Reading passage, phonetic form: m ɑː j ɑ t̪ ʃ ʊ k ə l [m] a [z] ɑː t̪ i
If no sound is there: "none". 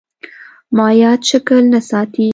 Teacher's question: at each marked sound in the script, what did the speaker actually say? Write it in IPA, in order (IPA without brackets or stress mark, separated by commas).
n, s